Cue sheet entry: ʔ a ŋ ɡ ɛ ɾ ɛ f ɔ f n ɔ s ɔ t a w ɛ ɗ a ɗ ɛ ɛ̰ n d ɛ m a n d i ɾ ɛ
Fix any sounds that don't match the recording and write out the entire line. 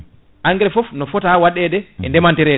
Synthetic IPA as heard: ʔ a ŋ ɡ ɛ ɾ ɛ f ɔ f n ɔ f ɔ t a w a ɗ ɛ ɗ ɛ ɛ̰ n d ɛ m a n t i ɾ ɛ